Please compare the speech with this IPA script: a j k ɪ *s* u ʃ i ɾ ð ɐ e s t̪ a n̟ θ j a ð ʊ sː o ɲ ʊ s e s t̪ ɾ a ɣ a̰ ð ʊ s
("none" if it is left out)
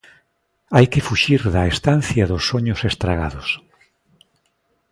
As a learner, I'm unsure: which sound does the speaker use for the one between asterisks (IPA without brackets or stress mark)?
f